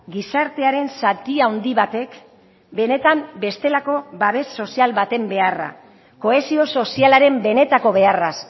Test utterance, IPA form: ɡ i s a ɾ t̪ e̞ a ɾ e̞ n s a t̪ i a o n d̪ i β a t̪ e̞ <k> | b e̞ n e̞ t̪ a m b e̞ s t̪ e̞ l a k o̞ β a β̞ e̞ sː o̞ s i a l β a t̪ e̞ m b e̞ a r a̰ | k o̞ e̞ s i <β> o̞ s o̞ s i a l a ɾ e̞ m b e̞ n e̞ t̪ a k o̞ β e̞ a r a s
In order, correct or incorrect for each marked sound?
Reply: correct, incorrect

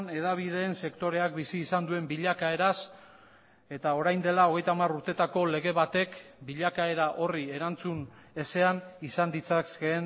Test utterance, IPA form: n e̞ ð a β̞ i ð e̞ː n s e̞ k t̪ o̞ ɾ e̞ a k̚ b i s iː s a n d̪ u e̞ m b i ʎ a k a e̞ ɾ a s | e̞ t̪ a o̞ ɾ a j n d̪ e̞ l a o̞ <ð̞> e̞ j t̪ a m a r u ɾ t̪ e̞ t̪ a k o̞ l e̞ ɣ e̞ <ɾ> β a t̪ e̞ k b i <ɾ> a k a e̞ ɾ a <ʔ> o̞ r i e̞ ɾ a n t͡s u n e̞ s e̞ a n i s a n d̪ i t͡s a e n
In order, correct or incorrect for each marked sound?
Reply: incorrect, incorrect, incorrect, correct

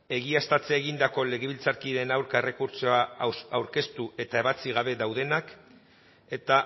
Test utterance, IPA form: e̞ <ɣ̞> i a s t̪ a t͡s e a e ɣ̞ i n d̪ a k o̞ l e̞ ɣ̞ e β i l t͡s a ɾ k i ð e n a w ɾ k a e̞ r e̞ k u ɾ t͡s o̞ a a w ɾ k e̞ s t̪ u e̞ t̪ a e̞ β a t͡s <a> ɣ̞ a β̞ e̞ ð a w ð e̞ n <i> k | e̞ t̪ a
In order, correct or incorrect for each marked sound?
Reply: correct, incorrect, incorrect

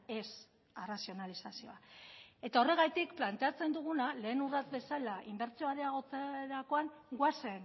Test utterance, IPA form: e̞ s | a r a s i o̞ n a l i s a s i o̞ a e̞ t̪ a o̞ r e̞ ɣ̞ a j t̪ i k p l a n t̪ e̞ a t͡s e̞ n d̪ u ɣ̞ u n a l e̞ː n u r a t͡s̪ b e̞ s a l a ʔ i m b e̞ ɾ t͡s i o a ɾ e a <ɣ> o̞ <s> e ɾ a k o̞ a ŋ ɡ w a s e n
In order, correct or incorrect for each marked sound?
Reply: correct, incorrect

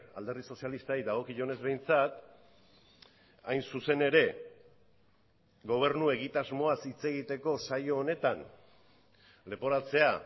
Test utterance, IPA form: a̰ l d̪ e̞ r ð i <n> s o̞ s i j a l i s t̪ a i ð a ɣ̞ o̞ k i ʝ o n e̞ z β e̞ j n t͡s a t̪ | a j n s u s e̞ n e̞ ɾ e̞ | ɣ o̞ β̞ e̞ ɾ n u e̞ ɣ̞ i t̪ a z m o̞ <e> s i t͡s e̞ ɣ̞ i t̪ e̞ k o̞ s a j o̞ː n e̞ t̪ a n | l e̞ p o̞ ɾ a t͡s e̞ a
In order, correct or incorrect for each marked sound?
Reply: incorrect, incorrect

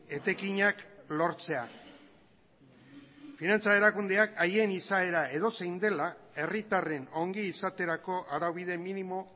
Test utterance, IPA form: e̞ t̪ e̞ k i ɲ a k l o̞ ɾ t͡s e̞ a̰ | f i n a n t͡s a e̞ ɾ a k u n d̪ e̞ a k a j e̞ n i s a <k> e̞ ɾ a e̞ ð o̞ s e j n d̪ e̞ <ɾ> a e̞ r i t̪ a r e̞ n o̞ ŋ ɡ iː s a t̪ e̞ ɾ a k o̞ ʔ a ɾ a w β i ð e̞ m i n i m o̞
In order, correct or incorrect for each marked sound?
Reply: incorrect, incorrect

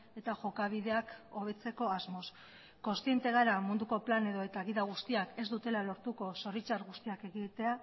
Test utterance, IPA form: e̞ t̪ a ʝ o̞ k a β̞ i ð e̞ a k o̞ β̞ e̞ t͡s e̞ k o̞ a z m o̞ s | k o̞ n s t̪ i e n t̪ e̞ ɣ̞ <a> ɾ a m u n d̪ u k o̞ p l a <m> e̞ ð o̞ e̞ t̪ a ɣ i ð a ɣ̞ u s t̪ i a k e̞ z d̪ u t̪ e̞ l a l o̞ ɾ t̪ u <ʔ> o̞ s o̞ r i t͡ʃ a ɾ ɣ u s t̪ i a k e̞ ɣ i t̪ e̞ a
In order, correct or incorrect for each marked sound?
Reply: correct, incorrect, incorrect

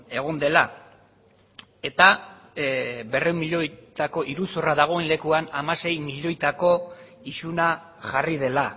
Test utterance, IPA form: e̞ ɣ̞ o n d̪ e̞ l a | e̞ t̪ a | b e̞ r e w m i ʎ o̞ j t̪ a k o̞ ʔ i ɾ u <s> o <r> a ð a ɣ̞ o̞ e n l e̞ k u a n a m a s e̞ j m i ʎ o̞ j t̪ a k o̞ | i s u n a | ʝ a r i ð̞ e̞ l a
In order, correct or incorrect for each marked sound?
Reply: correct, correct

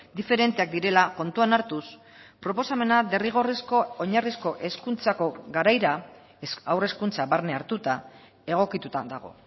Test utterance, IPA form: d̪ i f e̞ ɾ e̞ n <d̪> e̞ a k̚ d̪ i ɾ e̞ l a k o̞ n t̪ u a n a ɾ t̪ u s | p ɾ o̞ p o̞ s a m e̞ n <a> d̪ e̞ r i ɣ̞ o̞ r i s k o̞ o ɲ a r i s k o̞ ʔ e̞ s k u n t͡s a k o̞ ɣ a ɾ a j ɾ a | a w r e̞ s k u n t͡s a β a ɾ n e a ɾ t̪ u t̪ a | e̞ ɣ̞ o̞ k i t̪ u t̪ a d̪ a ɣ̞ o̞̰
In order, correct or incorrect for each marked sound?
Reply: incorrect, correct

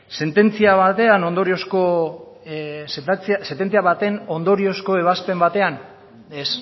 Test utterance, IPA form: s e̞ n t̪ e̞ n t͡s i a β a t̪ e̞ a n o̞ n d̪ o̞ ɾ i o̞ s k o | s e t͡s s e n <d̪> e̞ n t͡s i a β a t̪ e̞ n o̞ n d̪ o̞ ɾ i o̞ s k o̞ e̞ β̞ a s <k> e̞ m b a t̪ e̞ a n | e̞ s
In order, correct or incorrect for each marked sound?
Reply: incorrect, incorrect

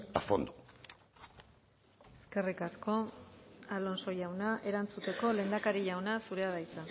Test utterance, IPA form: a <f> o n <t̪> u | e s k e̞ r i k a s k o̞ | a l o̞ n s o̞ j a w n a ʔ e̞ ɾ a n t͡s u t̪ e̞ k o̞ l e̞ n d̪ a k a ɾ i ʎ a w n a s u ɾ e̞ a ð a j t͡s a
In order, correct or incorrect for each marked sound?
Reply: correct, incorrect

